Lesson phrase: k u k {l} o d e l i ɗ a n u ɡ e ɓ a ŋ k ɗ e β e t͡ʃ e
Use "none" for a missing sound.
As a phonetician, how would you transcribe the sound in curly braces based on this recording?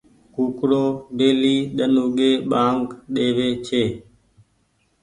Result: ɾ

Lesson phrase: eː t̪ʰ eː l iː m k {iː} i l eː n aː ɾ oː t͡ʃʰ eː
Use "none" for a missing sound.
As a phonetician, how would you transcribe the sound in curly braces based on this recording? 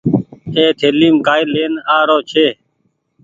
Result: aː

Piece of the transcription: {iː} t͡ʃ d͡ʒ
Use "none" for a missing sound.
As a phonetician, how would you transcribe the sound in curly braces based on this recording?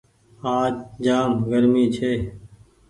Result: aː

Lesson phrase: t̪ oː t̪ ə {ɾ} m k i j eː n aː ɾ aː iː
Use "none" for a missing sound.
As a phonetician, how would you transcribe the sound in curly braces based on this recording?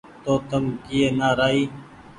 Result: none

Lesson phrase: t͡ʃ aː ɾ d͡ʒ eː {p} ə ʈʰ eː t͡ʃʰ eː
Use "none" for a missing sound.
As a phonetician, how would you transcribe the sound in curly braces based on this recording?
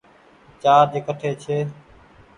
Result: k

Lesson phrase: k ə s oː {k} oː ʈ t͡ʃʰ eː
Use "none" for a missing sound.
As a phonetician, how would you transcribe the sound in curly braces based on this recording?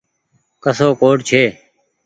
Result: k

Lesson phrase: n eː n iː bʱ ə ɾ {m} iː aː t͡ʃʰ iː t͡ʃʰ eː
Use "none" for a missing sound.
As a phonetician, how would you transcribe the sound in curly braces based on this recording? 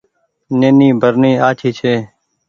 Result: n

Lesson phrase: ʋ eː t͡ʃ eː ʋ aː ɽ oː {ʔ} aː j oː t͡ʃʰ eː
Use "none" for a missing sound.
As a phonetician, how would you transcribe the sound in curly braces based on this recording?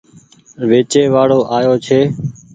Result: ʔ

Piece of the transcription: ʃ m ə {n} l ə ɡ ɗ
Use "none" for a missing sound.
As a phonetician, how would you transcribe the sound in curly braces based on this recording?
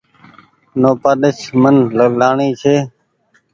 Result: n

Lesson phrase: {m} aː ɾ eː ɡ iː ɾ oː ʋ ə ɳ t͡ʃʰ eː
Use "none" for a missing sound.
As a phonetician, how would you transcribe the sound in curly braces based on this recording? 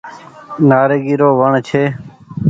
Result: n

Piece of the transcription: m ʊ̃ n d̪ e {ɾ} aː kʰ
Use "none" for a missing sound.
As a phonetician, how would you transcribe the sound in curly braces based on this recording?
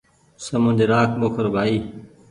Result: ɾ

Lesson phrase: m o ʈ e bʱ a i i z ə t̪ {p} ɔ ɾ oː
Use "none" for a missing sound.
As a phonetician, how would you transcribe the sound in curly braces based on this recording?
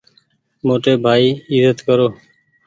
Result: k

